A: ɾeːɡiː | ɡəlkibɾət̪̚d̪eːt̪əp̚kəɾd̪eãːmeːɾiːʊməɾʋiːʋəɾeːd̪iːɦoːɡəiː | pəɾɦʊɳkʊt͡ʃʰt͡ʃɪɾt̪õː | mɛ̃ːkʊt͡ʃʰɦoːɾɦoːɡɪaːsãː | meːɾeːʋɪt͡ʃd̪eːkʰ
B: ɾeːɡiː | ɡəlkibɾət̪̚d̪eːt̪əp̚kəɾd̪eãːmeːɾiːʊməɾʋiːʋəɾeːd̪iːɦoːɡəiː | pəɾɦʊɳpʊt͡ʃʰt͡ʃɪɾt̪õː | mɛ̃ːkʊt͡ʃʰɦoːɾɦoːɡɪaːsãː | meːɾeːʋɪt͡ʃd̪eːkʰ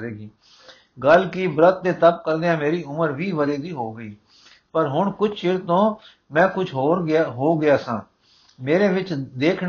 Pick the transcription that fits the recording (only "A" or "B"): A